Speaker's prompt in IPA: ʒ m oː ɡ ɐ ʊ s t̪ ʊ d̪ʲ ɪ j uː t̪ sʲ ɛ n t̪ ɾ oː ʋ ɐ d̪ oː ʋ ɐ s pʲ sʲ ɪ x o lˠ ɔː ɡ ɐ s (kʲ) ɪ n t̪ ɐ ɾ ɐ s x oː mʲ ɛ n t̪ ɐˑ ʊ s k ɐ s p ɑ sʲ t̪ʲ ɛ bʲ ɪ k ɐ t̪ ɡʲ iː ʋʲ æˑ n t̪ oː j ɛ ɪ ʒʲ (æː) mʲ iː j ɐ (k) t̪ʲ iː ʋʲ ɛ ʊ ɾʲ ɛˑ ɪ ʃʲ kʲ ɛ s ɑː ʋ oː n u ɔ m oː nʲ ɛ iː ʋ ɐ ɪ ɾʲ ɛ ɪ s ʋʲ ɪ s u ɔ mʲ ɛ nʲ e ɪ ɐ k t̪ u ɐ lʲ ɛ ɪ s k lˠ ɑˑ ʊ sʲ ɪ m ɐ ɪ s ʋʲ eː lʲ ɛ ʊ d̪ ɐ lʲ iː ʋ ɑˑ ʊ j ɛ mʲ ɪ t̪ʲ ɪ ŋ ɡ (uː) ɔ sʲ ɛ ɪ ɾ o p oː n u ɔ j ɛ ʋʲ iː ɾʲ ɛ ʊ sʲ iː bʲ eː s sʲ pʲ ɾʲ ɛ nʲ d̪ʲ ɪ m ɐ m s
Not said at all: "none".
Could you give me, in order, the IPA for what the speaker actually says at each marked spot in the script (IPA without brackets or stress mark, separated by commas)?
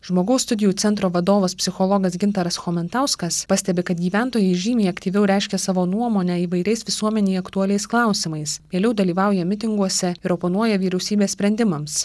ɡʲ, iː, k, u